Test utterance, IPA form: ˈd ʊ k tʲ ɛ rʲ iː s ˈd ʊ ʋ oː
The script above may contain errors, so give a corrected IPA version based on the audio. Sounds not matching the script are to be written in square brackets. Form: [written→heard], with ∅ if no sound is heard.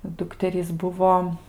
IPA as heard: ˈd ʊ k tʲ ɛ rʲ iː s [ˈd→ˈb] ʊ ʋ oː